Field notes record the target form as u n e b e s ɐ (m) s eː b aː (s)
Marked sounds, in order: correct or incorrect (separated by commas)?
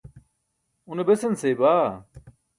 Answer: incorrect, incorrect